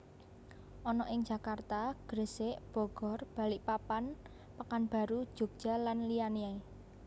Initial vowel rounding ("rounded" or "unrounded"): rounded